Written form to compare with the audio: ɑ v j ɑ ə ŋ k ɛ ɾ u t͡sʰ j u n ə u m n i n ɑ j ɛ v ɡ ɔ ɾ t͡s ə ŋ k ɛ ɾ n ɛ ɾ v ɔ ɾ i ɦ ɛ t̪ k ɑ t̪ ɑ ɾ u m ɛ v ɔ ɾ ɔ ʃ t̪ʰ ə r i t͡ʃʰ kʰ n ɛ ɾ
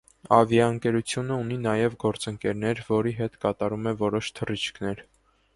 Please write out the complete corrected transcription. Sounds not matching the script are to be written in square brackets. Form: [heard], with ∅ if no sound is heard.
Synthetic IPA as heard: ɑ v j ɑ ə ŋ k ɛ ɾ u t͡sʰ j u n ə u [∅] n i n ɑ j ɛ v ɡ ɔ ɾ t͡s ə ŋ k ɛ ɾ n ɛ ɾ v ɔ ɾ i ɦ ɛ t̪ k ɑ t̪ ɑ ɾ u m ɛ v ɔ ɾ ɔ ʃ t̪ʰ ə r i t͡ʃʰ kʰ n ɛ ɾ